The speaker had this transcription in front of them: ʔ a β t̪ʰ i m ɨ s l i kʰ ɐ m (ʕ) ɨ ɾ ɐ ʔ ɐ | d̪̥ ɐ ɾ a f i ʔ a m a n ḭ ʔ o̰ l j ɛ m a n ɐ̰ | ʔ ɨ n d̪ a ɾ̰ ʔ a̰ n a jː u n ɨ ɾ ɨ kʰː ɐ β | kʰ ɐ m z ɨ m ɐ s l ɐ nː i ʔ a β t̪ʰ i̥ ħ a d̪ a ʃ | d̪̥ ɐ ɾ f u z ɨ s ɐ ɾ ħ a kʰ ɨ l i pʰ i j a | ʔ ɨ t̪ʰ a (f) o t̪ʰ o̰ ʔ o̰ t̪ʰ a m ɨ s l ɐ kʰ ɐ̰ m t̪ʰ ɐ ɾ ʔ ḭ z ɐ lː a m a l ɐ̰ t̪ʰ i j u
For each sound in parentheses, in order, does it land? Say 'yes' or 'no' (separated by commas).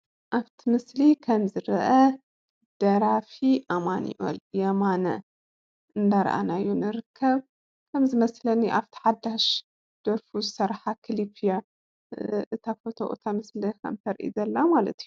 no, yes